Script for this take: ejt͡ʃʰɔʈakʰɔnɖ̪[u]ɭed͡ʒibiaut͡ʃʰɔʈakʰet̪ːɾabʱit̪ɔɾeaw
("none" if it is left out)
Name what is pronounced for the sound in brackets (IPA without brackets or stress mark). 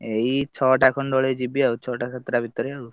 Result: ɔ